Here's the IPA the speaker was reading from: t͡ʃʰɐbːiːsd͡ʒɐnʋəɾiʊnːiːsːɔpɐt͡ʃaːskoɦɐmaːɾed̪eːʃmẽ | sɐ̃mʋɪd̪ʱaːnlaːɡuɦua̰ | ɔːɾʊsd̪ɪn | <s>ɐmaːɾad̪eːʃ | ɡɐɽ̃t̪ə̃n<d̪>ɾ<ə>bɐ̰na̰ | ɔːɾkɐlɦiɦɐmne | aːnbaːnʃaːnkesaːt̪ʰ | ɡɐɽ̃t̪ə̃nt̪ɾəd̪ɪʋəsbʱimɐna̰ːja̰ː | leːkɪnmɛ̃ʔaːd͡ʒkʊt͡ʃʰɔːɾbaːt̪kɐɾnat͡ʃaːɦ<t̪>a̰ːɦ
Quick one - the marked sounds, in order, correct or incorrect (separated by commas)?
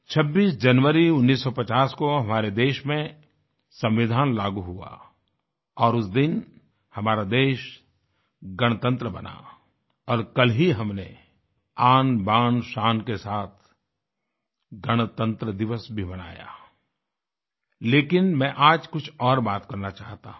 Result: incorrect, incorrect, correct, correct